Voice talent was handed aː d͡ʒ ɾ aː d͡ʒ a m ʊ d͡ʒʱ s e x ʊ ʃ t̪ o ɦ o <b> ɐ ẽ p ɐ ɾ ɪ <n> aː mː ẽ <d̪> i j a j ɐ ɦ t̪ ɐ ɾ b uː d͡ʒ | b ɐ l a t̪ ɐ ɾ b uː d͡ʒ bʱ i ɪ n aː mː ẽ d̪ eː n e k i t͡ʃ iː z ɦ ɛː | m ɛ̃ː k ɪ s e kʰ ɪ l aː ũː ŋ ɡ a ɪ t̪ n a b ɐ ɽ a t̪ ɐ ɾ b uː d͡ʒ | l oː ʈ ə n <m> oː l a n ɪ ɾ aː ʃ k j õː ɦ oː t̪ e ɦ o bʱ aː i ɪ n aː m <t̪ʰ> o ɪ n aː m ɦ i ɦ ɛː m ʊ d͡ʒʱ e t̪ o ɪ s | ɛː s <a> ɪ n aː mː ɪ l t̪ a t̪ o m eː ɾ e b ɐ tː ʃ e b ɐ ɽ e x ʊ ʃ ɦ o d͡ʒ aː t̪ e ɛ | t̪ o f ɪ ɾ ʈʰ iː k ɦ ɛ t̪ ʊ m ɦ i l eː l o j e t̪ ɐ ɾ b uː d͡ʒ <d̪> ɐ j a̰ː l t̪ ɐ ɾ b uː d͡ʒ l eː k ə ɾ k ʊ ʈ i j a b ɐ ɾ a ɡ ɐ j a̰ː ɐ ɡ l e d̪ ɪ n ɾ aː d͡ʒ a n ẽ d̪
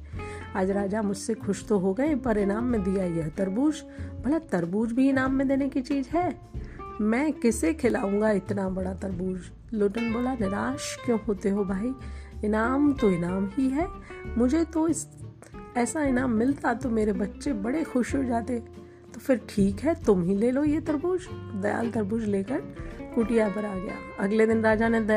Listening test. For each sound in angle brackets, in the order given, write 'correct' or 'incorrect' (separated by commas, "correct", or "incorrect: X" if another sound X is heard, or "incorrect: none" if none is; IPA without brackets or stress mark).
incorrect: ɡ, correct, correct, incorrect: b, incorrect: t̪, correct, correct